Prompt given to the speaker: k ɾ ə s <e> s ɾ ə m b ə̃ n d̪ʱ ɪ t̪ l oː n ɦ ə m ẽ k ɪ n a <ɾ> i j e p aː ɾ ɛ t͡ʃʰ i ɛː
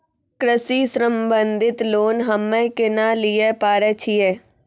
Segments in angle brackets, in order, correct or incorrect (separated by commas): incorrect, incorrect